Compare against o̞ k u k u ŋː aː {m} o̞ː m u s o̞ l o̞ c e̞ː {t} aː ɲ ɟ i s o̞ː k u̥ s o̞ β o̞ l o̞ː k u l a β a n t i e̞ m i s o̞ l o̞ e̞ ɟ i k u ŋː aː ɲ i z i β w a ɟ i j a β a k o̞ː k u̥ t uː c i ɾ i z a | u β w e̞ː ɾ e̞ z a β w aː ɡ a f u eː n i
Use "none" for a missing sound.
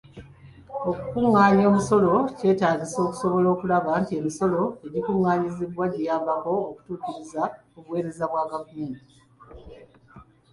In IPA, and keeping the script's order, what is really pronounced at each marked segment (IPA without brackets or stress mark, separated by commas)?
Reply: ɲ, t